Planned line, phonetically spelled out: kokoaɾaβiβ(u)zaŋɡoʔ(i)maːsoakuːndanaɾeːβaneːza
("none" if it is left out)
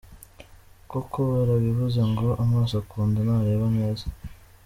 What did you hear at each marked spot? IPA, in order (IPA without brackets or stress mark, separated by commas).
u, a